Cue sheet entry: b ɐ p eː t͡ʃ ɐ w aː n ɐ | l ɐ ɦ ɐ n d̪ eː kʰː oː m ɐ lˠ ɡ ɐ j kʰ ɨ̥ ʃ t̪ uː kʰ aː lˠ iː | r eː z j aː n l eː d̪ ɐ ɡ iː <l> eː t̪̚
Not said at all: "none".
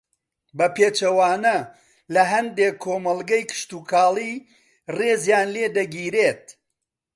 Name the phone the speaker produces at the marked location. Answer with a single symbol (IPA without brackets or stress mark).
ɾ